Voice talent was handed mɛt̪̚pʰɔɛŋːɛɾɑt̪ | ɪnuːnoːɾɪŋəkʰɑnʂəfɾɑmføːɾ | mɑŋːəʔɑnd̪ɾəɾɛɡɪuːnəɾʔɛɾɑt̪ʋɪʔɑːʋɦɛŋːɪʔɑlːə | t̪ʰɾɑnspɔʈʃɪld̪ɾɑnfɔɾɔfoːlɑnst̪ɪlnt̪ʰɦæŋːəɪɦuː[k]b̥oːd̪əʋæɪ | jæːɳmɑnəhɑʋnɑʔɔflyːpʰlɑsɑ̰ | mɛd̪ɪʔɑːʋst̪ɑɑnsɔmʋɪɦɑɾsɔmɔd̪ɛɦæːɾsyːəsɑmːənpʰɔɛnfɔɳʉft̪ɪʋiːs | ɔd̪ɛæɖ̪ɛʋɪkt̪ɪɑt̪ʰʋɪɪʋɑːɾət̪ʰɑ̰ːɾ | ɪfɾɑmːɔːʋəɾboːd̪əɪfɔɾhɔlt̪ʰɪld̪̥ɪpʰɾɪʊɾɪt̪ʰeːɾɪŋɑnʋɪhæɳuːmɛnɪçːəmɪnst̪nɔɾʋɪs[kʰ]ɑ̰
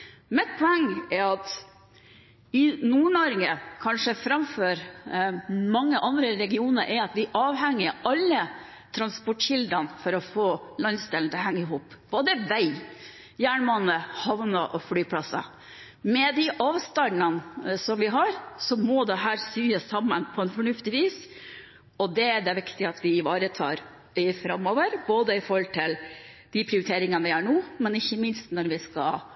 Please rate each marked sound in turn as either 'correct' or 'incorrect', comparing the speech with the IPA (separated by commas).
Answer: incorrect, incorrect